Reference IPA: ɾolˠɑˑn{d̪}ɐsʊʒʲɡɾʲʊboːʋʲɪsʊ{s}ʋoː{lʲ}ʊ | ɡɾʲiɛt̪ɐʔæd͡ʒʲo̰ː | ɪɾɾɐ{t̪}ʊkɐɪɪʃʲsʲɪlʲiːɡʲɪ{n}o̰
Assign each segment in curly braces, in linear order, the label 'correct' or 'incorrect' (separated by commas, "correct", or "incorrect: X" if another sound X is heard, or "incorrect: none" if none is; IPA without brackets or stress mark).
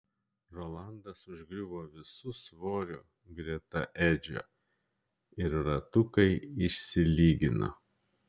correct, correct, incorrect: ɾʲ, correct, correct